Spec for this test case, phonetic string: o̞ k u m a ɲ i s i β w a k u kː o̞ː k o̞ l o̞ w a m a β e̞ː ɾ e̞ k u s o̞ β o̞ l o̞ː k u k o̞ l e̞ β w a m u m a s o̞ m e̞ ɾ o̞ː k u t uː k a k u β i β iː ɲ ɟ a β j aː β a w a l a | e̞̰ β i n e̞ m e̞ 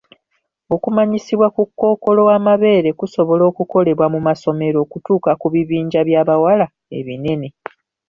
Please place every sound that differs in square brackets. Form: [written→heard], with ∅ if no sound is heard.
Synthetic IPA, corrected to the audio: o̞ k u m a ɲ i s i β w a k u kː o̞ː k o̞ l o̞ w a m a β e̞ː ɾ e̞ k u s o̞ β o̞ l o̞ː k u k o̞ l e̞ β w a m u m a s o̞ m e̞ ɾ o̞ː k u t uː k a k u β i β iː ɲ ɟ a β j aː β a w a l a | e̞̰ β i n e̞ [m→n] e̞